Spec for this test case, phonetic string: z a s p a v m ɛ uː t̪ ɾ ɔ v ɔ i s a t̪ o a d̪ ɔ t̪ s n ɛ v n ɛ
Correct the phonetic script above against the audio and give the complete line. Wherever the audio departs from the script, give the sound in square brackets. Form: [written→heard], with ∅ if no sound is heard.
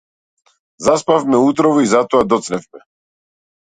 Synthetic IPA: z a s p a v m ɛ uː t̪ ɾ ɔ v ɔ i [s→z] a t̪ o a d̪ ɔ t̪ s n ɛ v [n→m] ɛ